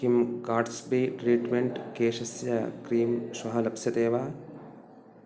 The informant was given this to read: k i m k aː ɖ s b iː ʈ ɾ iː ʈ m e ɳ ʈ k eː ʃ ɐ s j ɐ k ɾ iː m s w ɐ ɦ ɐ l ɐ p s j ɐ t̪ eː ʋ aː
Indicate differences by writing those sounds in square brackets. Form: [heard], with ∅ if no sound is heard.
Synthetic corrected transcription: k i m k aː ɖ s b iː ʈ ɾ iː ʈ m e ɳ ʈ k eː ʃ ɐ s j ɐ k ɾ iː m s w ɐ ɦ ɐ l ɐ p s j ɐ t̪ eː ʋ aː